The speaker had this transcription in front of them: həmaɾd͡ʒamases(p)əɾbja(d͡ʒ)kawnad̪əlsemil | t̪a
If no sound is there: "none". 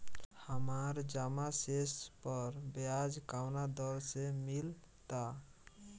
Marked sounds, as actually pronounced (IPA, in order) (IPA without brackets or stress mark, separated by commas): p, d͡ʒ